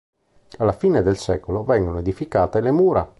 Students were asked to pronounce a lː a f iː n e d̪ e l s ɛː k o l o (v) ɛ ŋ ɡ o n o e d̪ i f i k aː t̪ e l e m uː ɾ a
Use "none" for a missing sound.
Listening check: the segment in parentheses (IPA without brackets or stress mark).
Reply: v